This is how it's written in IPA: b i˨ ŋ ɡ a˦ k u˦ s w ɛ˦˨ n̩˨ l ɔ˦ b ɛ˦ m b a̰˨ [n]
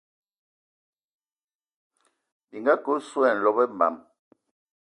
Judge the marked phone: incorrect: m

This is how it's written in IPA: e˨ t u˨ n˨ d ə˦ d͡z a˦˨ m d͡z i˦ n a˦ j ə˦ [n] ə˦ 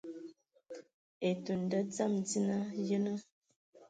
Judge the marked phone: correct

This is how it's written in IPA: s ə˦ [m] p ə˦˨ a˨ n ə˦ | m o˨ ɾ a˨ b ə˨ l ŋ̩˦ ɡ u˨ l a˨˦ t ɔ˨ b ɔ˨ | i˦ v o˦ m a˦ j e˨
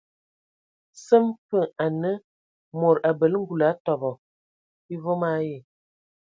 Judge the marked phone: correct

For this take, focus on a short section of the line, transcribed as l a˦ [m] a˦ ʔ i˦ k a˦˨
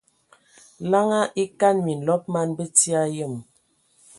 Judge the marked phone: incorrect: ŋ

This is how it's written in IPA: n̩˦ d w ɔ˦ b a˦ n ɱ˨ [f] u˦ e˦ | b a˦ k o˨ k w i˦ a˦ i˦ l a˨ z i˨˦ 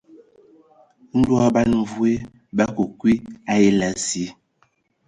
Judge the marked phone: incorrect: v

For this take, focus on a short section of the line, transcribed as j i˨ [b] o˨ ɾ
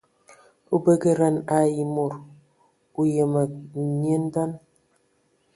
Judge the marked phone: incorrect: m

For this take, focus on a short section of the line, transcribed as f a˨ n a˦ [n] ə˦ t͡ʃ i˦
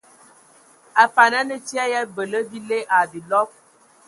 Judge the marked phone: correct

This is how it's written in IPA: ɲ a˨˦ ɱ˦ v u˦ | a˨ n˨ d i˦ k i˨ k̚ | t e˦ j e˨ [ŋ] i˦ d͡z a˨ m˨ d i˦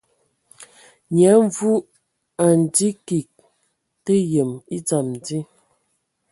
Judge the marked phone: incorrect: m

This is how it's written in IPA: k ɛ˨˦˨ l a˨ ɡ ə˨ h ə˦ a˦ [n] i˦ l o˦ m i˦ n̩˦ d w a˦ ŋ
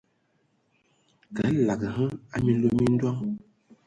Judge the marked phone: incorrect: m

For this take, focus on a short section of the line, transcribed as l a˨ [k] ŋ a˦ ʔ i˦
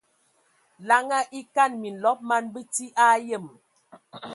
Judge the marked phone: incorrect: none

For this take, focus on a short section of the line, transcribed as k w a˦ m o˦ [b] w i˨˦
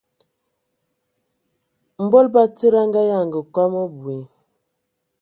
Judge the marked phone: correct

